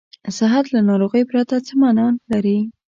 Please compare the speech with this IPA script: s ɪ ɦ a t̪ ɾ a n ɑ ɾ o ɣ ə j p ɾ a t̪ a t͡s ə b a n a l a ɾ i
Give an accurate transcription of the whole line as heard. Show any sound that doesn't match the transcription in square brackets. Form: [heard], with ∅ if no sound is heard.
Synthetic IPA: s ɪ ɦ a t̪ [l] a n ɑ ɾ o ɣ ə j p ɾ a t̪ a t͡s ə [m] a n [ɑ] l a ɾ i